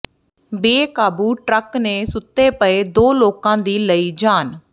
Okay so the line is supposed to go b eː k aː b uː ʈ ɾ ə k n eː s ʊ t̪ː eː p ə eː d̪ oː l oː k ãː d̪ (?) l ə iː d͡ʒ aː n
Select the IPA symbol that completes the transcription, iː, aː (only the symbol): iː